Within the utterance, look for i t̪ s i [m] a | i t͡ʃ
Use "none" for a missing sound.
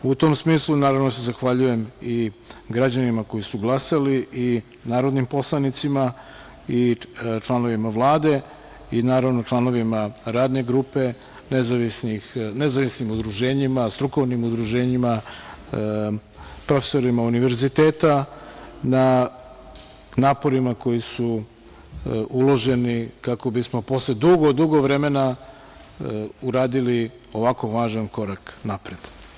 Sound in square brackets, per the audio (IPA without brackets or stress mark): m